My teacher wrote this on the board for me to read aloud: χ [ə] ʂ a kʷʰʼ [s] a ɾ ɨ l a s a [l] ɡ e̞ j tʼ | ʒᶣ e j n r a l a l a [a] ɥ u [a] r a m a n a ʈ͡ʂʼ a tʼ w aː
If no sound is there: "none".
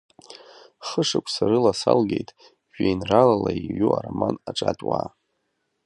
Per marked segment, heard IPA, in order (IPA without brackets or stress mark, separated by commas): ə, s, l, i, a